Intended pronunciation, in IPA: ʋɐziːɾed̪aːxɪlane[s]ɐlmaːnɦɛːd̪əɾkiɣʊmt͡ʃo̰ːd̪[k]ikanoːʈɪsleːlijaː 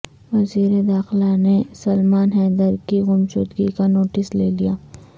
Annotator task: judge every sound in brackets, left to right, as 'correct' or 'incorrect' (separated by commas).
correct, incorrect